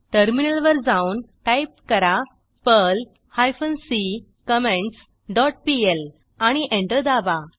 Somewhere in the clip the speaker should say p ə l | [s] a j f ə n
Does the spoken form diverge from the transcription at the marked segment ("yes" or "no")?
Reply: yes